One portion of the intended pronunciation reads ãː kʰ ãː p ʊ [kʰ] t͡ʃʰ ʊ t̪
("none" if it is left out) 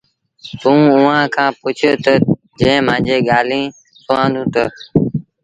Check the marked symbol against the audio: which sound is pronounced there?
none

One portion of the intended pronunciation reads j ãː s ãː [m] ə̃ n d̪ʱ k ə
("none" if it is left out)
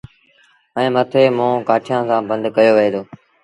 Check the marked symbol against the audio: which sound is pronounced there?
b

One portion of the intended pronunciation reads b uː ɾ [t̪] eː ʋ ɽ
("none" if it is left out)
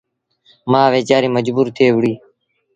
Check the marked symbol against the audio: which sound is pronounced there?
t̪ʰ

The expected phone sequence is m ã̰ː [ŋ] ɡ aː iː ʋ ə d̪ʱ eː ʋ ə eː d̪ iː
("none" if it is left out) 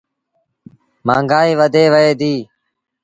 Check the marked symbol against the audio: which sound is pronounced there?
ŋ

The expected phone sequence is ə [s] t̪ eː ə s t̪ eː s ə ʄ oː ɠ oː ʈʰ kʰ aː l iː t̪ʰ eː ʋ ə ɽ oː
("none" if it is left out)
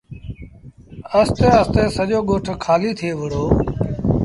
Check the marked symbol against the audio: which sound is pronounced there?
s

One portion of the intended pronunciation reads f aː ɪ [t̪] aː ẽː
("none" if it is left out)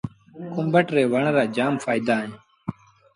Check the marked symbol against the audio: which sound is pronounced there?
d̪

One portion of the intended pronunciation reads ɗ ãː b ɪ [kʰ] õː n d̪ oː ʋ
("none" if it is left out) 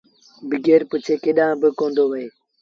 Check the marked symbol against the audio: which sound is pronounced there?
k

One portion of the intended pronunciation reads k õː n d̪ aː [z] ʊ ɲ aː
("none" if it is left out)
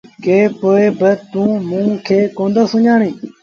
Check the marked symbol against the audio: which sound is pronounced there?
s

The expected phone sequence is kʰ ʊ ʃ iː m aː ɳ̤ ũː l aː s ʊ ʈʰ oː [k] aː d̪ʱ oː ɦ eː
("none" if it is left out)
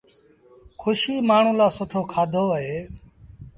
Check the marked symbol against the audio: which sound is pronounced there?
kʰ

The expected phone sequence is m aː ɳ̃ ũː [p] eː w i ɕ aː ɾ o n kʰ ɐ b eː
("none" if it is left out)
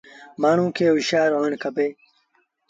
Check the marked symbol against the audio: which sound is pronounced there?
k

